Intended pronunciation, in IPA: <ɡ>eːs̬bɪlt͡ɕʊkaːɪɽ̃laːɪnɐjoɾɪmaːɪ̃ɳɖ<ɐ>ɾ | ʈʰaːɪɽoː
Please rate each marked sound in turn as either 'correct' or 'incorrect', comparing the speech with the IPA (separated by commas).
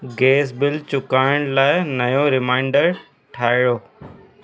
correct, incorrect